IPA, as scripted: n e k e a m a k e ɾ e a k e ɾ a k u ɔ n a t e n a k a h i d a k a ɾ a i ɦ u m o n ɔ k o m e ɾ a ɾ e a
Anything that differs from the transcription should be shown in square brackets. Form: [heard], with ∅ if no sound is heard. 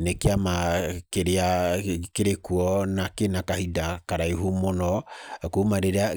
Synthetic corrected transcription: n e k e a m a k e ɾ e a k e ɾ [e] k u ɔ n a [k] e n a k a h i d a k a ɾ a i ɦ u m o n ɔ k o m [a] ɾ [e] ɾ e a